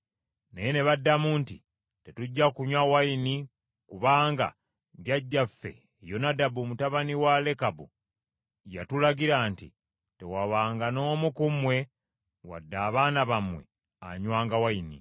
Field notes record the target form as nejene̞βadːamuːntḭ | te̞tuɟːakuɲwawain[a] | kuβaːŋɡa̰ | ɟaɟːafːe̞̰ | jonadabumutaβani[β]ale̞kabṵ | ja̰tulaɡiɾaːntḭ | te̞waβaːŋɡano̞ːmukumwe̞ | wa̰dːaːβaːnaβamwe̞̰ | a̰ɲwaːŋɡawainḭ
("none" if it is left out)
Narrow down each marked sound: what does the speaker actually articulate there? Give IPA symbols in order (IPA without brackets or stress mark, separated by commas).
i, w